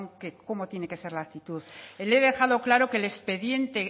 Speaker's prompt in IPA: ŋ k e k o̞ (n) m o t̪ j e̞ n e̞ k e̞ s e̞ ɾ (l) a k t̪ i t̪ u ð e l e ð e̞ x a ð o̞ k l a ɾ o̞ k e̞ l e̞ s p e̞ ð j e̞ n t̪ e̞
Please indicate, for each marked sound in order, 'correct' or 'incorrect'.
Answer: incorrect, correct

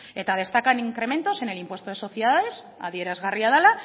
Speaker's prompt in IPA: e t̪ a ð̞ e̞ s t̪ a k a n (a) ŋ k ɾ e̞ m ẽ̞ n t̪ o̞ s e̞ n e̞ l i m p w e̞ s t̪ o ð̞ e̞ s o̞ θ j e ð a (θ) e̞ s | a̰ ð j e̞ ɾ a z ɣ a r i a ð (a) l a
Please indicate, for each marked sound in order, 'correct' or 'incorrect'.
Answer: incorrect, incorrect, correct

